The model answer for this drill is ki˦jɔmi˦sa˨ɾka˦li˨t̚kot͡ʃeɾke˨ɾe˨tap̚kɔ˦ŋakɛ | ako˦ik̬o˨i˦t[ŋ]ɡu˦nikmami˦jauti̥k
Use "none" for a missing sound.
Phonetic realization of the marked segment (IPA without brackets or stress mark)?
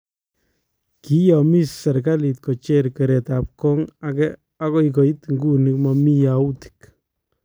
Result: ŋ